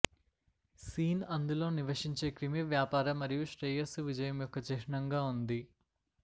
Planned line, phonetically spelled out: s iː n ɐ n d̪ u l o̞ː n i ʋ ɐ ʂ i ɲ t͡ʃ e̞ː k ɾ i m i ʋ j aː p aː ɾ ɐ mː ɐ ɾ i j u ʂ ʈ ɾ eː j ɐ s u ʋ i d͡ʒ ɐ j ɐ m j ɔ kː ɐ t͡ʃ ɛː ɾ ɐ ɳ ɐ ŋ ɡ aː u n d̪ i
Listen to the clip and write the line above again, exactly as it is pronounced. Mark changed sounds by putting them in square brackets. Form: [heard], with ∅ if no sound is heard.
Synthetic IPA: s iː n ɐ n d̪ u l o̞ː n i ʋ ɐ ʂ i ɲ t͡ʃ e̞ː k ɾ i m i ʋ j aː p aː ɾ ɐ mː ɐ ɾ i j u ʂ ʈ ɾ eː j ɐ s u ʋ i d͡ʒ ɐ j ɐ m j ɔ kː ɐ t͡ʃ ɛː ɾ ɐ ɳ ɐ ŋ ɡ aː u n d̪ i